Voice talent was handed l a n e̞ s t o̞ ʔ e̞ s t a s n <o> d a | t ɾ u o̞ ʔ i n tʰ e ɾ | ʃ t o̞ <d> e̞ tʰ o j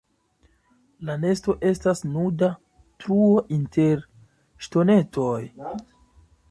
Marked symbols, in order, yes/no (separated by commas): no, no